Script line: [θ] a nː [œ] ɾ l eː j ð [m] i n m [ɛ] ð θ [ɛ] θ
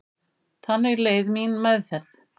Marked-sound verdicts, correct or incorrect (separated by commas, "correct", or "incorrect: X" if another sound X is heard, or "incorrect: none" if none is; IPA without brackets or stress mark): correct, incorrect: ɛ, correct, correct, correct